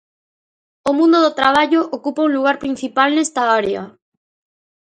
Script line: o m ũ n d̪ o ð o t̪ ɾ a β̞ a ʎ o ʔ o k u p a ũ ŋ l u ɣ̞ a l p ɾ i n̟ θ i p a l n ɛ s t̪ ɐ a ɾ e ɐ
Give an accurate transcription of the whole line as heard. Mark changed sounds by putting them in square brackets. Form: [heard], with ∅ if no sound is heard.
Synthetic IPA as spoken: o m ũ n d̪ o ð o t̪ ɾ a β̞ a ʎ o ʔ o k u p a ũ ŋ l u ɣ̞ a [ɾ] p ɾ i n̟ θ i p a l n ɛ s t̪ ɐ a ɾ e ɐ